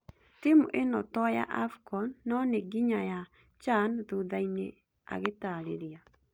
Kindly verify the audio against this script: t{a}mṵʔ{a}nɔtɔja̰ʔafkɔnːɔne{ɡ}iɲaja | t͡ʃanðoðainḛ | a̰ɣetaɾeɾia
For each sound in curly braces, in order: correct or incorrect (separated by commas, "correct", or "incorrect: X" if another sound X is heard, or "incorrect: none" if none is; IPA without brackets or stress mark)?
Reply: incorrect: i, incorrect: e, correct